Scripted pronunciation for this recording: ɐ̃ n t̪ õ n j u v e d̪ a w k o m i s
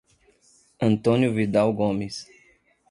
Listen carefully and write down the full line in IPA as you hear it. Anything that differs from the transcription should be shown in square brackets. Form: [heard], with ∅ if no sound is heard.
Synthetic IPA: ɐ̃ n t̪ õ n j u v [i] d̪ a w [ɡ] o m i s